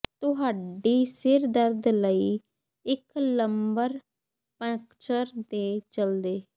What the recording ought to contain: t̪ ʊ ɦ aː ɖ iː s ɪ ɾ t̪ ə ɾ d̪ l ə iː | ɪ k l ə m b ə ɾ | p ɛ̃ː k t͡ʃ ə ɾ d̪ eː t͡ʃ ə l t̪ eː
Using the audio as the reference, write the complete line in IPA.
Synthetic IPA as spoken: t̪ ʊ ɦ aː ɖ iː s ɪ ɾ d̪ ə ɾ d̪ l ə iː | ɪ k l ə m b ə ɾ | p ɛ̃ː k t͡ʃ ə ɾ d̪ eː t͡ʃ ə l d̪ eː

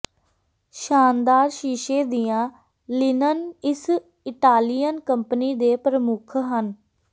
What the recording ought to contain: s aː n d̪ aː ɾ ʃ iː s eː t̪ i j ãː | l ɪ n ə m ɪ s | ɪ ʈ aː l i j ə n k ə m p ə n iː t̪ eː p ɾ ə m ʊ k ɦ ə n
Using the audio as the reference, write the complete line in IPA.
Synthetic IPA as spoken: ʃ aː n d̪ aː ɾ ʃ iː ʃ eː d̪ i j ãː | l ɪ n ə n ɪ s | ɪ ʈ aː l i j ə n k ə m p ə n iː d̪ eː p ɾ ə m ʊ kʰ ɦ ə n

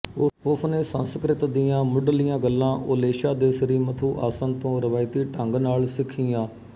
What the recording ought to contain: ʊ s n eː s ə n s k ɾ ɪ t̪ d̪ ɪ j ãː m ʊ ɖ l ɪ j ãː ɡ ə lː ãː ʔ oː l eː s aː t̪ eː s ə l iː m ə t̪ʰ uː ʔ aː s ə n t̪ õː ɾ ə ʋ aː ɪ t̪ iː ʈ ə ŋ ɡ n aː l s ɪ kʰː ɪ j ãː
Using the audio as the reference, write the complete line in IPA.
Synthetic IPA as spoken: ʊ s n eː s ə n s k ɾ ɪ t̪ d̪ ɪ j ãː m ʊ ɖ l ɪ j ãː ɡ ə lː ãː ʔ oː l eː ʃ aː d̪ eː s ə ɾ iː m ə t̪ʰ uː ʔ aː s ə n t̪ õː ɾ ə ʋ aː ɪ t̪ iː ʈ ə ŋ ɡ n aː l s ɪ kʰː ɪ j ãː

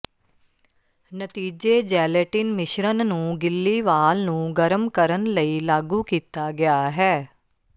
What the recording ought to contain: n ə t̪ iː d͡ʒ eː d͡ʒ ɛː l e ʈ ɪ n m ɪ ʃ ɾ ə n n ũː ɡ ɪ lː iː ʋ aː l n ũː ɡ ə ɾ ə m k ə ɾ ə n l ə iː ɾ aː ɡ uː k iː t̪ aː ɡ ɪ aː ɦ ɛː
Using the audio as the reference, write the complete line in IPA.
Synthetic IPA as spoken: n ə t̪ iː d͡ʒ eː d͡ʒ ɛː l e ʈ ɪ n m ɪ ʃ ɾ ə n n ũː ɡ ɪ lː iː ʋ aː l n ũː ɡ ə ɾ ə m k ə ɾ ə n l ə iː l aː ɡ uː k iː t̪ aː ɡ ɪ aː ɦ ɛː

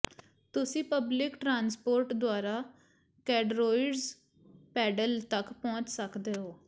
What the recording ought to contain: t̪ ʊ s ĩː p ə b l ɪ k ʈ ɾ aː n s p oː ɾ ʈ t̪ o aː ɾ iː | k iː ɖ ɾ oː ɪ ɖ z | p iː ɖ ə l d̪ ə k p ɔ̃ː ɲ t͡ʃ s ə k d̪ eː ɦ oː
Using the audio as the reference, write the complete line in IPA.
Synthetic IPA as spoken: t̪ ʊ s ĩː p ə b l ɪ k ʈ ɾ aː n s p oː ɾ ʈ d̪ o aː ɾ aː | k ɛː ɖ ɾ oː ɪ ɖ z | p ɛː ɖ ə l t̪ ə k p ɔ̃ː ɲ t͡ʃ s ə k d̪ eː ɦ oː

